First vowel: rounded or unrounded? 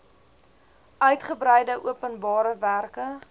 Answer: rounded